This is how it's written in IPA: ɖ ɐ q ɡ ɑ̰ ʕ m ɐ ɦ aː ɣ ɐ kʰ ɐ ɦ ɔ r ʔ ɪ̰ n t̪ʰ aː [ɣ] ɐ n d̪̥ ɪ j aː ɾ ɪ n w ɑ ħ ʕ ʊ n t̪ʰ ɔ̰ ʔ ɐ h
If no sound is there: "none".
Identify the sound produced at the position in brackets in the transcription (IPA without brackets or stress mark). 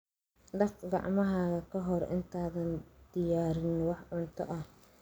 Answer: ð